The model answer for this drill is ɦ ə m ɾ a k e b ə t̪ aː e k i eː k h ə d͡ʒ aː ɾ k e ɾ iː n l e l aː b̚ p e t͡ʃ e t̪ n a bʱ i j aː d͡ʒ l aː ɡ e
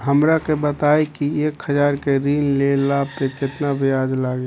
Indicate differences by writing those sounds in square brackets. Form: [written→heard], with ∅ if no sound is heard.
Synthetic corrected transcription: ɦ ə m ɾ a k e b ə t̪ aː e k i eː k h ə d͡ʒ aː ɾ k e ɾ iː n l e l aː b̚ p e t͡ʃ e t̪ n a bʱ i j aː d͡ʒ l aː ɡ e